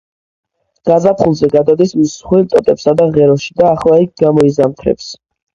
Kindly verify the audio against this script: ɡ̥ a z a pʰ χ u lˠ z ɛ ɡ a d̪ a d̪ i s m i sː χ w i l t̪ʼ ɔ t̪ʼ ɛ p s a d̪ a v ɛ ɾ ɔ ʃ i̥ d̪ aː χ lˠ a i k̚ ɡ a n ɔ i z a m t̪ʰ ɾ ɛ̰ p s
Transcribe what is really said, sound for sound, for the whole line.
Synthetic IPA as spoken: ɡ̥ a z a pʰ χ u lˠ z ɛ ɡ a d̪ a d̪ i s m i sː χ w i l t̪ʼ ɔ t̪ʼ ɛ p s a d̪ a ʁ ɛ ɾ ɔ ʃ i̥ d̪ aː χ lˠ a i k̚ ɡ a m ɔ i z a m t̪ʰ ɾ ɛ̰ p s

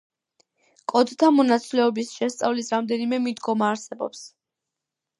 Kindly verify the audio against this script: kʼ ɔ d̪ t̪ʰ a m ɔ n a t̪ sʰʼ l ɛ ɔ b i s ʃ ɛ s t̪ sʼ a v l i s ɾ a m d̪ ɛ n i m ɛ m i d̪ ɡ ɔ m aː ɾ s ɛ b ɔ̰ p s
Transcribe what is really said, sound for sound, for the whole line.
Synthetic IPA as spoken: kʼ ɔ d̪ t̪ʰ a m ɔ n a t̪ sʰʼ l ɛ ɔ b i s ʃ ɛ s t̪ sʼ a v l i s ɾ a m d̪ ɛ n i m ɛ m i d̪ ɡ ɔ m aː ɾ s ɛ b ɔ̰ p s

